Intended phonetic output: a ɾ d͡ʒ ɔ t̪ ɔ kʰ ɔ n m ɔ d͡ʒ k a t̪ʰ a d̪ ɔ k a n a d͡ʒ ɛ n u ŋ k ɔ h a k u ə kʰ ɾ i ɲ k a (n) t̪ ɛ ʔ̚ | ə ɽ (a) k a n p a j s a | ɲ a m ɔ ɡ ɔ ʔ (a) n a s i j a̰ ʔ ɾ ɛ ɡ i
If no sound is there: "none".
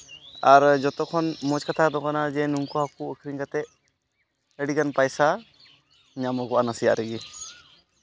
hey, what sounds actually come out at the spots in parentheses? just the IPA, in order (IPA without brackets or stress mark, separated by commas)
none, i, a